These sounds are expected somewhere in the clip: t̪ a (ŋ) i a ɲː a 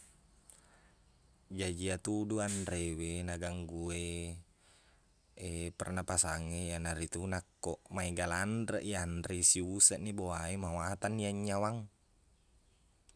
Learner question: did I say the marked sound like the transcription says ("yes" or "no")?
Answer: no